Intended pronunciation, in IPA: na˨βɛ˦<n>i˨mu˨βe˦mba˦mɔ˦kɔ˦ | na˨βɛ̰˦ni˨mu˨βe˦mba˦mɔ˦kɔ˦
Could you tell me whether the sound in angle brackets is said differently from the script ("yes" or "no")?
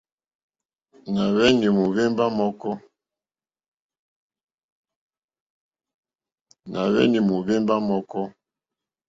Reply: no